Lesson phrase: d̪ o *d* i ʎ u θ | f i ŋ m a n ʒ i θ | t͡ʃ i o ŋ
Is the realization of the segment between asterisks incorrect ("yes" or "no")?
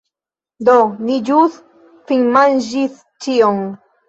yes